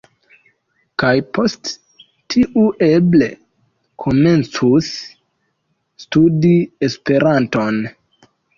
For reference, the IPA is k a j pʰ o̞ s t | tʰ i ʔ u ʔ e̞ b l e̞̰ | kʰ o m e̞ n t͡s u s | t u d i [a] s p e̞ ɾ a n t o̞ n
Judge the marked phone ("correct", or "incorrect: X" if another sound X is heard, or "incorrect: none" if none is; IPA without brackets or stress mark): incorrect: e